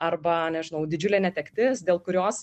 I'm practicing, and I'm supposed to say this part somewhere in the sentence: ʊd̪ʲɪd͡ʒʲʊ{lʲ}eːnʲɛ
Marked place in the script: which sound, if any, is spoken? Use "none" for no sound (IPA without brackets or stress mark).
lʲ